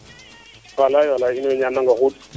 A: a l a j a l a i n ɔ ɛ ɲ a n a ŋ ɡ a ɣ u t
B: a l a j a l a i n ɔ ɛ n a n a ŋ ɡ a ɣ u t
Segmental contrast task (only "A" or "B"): A